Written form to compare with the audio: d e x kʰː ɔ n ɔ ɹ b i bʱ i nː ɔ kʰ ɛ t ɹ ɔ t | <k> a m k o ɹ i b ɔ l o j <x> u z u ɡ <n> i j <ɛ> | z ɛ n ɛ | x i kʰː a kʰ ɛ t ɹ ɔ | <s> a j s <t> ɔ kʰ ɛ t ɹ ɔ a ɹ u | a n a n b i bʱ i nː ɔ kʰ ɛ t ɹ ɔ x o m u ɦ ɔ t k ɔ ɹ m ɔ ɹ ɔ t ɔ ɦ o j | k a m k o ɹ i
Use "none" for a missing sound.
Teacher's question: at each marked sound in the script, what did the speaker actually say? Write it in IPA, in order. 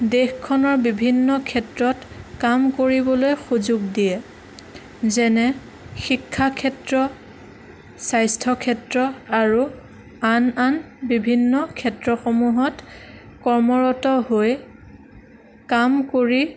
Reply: k, x, d, ɛ, s, tʰ

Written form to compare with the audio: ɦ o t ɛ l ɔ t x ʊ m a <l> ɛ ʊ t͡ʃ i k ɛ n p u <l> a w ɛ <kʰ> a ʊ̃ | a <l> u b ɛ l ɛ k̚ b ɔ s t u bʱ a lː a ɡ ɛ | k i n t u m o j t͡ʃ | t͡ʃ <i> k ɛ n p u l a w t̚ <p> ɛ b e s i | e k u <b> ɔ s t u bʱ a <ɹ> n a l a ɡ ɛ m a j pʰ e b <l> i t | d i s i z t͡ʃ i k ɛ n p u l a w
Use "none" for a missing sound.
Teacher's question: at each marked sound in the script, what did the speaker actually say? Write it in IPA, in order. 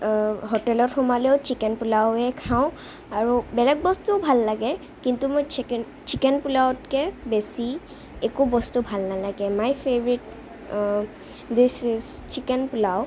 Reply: l, l, kʰ, ɹ, i, k, b, l, ɹ

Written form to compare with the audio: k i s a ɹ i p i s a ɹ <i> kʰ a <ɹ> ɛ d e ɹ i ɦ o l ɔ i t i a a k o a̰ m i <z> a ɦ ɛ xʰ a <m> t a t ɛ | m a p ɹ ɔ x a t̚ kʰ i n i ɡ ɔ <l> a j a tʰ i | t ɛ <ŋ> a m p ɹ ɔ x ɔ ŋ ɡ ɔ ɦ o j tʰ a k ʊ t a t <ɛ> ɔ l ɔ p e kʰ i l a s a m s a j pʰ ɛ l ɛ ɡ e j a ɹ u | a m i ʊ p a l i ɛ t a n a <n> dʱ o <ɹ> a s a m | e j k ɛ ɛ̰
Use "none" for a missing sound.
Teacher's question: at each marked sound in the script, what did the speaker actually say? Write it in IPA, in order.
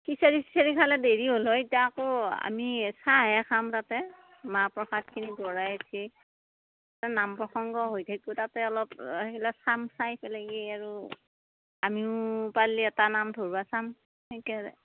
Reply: i, l, s, m, ɹ, n, ɛ, m, ɹ

